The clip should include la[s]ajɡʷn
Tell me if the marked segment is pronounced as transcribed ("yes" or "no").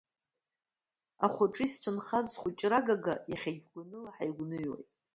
no